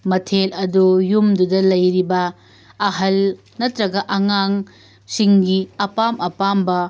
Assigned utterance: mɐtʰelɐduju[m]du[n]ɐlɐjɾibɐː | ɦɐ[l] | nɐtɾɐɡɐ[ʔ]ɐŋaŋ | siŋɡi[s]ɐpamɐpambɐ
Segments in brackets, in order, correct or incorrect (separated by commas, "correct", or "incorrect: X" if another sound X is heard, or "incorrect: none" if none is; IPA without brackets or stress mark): correct, incorrect: d, correct, correct, incorrect: none